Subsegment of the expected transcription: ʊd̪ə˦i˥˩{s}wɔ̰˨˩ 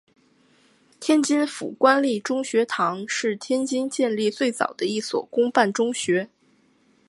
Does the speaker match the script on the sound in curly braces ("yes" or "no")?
yes